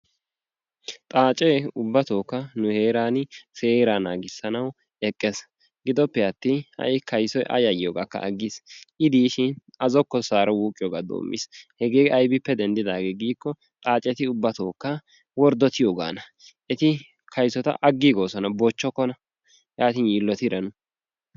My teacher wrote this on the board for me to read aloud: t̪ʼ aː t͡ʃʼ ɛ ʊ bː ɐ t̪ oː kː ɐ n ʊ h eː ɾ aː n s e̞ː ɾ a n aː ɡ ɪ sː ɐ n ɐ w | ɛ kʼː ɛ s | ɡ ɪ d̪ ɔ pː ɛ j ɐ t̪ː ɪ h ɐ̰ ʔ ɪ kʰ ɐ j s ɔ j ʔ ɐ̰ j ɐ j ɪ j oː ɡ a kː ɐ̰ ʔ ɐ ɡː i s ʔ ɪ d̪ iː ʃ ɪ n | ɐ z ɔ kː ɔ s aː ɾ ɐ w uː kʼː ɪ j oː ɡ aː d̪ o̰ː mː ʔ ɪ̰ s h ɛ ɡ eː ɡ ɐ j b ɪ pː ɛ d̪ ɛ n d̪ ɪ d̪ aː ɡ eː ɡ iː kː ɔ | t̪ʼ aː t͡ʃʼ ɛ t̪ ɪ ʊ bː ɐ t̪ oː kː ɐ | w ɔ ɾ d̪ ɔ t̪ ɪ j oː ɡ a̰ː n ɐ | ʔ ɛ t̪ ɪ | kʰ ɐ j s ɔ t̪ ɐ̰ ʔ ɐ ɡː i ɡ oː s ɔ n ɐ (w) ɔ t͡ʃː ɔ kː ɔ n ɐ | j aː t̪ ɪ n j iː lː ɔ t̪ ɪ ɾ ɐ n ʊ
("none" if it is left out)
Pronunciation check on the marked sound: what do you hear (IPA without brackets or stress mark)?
b